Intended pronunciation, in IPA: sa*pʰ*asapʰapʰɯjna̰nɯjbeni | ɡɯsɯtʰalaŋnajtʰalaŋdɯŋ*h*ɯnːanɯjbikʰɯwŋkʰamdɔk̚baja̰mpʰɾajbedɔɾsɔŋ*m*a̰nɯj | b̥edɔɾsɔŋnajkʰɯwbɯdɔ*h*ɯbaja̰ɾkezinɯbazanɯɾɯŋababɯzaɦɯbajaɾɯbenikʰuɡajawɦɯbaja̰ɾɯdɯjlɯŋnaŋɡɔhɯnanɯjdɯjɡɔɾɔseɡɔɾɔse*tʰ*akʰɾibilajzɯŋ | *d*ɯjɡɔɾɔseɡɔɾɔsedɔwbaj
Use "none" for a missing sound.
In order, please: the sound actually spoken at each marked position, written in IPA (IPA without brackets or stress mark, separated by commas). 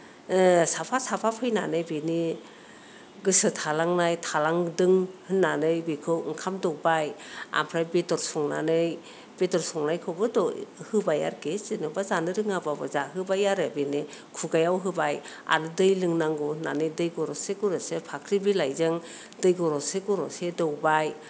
pʰ, h, n, h, pʰ, d